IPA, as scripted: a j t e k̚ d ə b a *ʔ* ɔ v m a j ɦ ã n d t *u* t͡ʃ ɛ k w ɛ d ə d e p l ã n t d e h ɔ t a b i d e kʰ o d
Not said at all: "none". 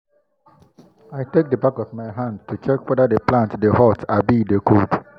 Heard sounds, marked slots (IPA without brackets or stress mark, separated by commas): k, u